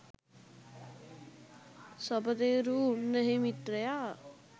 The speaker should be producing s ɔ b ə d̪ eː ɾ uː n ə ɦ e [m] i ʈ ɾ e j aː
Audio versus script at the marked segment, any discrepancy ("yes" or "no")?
no